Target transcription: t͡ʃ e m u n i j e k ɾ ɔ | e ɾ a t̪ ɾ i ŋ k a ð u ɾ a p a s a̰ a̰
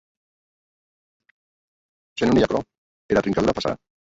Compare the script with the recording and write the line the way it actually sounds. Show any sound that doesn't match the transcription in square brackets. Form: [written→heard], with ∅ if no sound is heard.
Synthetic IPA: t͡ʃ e [m→n] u n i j [e→a] k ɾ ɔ | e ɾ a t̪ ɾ i ŋ k a ð u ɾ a p a s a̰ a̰